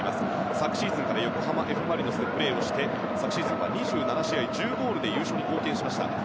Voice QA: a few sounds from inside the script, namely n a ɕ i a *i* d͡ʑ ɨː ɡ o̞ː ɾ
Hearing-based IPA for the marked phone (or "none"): i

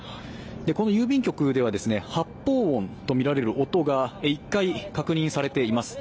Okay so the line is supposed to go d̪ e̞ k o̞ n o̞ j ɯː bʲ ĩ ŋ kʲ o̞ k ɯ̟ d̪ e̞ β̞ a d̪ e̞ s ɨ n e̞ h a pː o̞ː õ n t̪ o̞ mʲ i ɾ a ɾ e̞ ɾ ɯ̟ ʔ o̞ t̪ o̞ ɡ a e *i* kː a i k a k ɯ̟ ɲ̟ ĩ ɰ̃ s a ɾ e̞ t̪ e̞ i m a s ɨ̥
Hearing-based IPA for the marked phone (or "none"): i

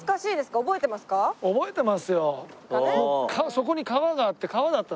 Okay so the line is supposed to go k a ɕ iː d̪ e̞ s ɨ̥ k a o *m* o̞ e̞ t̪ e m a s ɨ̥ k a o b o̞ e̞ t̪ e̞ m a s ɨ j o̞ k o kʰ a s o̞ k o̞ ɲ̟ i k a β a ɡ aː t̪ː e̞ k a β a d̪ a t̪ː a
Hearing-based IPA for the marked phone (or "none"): b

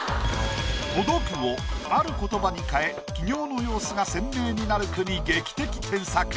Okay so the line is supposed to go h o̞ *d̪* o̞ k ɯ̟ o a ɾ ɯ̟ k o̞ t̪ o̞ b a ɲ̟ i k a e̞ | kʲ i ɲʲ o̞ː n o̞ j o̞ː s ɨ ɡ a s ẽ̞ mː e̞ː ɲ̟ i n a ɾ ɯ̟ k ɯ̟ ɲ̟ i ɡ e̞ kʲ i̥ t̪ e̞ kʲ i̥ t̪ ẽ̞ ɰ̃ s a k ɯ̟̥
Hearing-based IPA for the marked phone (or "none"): d̪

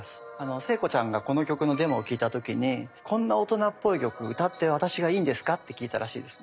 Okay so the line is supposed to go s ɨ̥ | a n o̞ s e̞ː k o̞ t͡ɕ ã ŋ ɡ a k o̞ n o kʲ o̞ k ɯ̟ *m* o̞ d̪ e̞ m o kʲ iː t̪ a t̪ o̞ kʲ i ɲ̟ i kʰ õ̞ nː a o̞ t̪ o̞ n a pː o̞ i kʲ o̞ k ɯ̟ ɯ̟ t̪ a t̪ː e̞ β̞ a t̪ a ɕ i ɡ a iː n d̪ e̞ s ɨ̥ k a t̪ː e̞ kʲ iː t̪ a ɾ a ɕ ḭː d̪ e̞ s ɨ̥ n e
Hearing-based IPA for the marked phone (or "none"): n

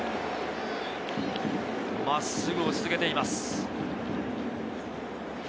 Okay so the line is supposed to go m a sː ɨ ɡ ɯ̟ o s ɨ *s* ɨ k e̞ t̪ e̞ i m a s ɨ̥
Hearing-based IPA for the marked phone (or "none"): z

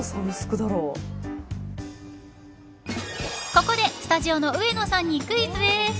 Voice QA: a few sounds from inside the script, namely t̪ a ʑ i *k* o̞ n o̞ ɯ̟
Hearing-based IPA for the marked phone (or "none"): none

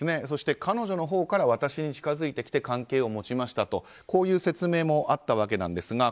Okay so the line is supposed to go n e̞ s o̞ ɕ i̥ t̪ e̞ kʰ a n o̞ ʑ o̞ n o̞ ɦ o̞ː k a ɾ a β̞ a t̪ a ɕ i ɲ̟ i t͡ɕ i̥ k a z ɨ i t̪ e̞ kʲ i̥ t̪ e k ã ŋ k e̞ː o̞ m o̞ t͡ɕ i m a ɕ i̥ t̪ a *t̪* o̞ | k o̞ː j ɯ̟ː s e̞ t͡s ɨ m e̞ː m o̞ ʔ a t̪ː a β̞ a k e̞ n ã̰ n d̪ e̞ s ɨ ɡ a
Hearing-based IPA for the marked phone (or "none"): t̪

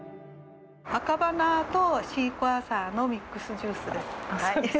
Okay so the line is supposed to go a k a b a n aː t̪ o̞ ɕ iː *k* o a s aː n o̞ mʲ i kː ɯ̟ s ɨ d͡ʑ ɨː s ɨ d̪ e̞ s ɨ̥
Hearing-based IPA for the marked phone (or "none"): k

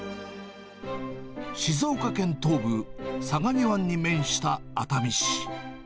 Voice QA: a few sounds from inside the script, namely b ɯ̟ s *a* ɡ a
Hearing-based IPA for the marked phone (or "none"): a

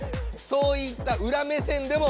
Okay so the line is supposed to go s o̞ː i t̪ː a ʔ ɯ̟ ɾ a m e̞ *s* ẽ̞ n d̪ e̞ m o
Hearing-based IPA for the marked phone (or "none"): s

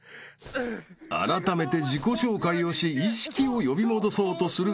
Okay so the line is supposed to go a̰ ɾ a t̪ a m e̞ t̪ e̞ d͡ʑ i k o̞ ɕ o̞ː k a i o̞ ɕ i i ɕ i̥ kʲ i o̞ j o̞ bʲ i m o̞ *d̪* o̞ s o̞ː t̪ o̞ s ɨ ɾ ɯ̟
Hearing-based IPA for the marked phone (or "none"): d̪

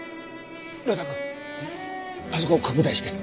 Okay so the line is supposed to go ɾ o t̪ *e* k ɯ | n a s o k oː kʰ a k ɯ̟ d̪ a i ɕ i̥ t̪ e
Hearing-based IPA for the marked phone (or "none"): a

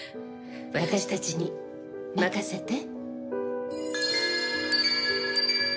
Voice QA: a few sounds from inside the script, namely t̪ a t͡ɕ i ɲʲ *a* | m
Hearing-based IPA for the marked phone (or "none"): i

